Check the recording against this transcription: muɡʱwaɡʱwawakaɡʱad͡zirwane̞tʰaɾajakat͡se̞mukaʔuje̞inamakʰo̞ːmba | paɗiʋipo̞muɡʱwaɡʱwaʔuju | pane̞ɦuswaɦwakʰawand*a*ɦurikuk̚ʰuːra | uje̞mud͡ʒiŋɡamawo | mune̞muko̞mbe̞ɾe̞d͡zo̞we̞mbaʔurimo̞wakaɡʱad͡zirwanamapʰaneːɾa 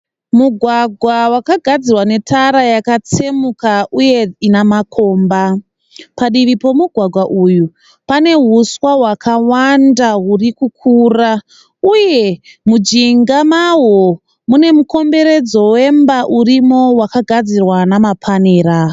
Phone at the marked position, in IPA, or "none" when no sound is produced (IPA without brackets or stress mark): a